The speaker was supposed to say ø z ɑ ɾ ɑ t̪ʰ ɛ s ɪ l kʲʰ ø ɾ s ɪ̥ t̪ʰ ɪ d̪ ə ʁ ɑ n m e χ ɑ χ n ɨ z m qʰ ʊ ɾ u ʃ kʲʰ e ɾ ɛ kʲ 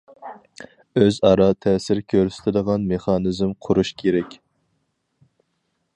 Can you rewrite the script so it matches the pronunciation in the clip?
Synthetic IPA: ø z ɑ ɾ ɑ t̪ʰ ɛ s ɪ ɾ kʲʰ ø ɾ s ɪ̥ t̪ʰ ɪ d̪ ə ʁ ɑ n m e χ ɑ n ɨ z m qʰ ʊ ɾ u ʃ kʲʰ e ɾ ɛ kʲ